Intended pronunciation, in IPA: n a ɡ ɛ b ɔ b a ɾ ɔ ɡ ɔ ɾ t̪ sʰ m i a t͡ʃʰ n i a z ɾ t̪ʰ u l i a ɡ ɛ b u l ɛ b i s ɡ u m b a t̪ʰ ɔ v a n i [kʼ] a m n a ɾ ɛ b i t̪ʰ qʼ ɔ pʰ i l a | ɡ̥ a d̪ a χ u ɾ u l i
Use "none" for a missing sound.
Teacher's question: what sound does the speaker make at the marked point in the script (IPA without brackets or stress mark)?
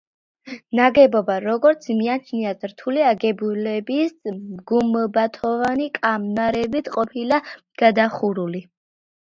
kʼ